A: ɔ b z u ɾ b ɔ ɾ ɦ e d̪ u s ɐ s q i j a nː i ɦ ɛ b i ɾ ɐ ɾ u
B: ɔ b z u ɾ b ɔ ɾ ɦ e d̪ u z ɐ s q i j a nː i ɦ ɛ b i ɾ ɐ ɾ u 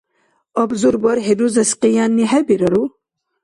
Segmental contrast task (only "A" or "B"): B